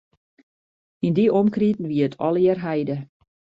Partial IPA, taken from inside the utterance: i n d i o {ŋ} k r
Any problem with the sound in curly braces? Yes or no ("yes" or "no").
yes